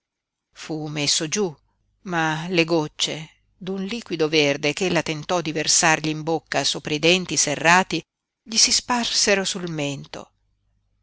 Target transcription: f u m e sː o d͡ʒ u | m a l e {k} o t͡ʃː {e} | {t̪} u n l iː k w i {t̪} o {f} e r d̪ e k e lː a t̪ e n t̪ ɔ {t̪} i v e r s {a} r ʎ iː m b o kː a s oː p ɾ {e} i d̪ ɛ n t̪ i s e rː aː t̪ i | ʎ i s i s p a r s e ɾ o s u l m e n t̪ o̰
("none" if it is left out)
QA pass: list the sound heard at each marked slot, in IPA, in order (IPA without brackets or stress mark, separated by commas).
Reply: ɡ, e, d̪, d̪, v, d̪, a, a